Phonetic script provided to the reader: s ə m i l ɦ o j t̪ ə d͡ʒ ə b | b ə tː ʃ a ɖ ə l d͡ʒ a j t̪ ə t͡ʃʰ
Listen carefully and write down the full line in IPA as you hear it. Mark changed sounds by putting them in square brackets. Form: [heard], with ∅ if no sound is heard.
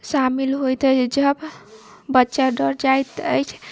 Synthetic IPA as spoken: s [a] m i l ɦ o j t̪ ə d͡ʒ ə b | b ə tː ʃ a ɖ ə [ɾ] d͡ʒ a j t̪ ə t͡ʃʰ